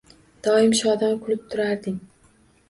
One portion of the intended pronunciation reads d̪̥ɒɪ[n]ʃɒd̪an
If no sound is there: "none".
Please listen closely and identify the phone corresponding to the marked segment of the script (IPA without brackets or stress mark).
m